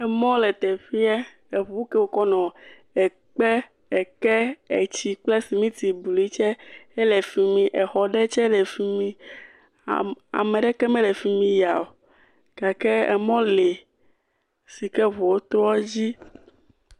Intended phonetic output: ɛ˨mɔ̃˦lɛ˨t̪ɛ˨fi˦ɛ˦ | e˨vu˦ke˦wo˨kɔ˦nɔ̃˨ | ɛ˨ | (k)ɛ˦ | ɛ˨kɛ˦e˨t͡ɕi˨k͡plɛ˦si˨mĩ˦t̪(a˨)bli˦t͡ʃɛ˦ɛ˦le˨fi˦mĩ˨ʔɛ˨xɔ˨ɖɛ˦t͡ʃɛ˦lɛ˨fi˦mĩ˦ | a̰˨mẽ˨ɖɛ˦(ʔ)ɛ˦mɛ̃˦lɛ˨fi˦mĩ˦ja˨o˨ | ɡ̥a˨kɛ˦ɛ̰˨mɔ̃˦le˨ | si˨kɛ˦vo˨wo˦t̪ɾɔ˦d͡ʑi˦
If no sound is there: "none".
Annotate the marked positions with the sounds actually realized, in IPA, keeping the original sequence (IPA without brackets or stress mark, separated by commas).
k͡p, i˨, k